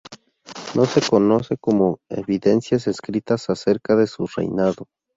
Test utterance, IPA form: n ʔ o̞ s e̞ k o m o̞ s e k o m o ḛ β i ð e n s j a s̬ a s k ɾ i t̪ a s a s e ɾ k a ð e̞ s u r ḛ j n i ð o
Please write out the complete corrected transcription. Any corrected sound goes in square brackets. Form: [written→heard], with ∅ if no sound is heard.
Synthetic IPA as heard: n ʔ o̞ s e̞ k o [m→n] o̞ s e k o m o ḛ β i ð e n s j a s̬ [a→e] s k ɾ i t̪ a s a s e ɾ k a ð e̞ s u r ḛ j n [i→a] ð o